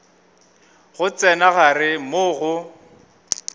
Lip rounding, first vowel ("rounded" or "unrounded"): rounded